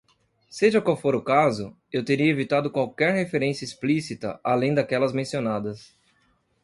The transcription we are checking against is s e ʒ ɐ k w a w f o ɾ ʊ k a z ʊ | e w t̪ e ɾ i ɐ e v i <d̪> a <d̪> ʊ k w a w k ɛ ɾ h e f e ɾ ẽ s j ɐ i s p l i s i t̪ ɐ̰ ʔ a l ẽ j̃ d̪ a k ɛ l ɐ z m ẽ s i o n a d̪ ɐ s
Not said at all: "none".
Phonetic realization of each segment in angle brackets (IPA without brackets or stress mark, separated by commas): t̪, d̪